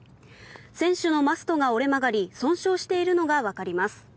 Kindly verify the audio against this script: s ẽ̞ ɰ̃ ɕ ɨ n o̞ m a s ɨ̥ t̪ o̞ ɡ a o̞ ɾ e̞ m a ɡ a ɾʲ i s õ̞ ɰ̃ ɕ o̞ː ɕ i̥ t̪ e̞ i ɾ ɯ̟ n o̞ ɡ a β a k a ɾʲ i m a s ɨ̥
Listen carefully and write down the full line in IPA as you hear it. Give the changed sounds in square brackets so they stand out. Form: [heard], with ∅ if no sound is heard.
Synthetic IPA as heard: s ẽ̞ ɰ̃ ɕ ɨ n o̞ m a s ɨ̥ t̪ o̞ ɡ a o̞ ɾ e̞ m a ɡ a ɾʲ i s õ̞ ɰ̃ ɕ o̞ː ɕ i̥ t̪ e̞ i ɾ ɯ̟ n o̞ ɡ a β a k a ɾʲ i m a s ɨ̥